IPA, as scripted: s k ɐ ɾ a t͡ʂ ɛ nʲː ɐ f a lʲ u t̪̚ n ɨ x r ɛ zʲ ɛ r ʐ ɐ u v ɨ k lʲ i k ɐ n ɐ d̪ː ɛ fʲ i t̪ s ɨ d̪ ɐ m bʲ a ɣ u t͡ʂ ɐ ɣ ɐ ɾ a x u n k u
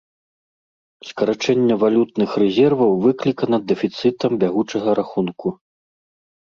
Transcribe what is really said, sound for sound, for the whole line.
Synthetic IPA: s k ɐ ɾ a t͡ʂ ɛ nʲː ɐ v a lʲ u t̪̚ n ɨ x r ɛ zʲ ɛ r v ɐ w v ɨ k lʲ i k ɐ n ɐ d̪ː ɛ fʲ i t̪ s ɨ t̪ ɐ m bʲ a ɣ u t͡ʂ ɐ ɣ ɐ ɾ a x u n k u